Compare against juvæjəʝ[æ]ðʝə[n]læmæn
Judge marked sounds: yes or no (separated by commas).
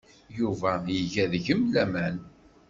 yes, no